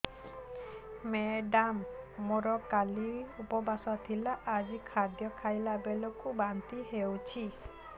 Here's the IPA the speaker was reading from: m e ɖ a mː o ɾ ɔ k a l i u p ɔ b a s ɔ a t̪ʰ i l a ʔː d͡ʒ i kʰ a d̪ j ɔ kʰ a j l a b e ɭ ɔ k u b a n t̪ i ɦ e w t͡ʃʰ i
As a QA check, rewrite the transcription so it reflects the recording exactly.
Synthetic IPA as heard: m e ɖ a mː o ɾ ɔ k a l i u p ɔ b a s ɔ a t̪ʰ i l a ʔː d͡ʒ i kʰ a d̪ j ɔ kʰ a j l a b e l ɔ k u b a n t̪ i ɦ e w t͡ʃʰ i